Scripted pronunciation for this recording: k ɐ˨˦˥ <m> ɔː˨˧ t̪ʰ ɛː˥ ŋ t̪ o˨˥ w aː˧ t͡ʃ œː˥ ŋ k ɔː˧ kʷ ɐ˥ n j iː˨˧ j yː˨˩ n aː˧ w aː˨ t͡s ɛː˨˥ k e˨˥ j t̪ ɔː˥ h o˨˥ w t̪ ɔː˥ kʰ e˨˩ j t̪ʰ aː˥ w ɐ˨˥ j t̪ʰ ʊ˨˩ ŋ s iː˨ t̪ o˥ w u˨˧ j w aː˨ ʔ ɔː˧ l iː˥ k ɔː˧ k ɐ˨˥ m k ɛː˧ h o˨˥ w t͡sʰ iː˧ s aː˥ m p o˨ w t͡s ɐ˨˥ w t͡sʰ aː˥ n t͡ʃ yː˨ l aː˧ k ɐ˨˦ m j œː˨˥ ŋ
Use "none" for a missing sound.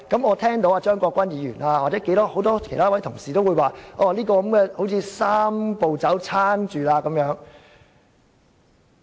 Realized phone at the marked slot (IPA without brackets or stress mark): m